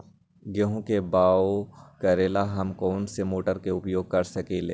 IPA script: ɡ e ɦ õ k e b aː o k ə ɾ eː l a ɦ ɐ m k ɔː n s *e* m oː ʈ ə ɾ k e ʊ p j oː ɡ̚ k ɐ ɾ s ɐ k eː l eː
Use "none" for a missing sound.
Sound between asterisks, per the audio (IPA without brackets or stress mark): e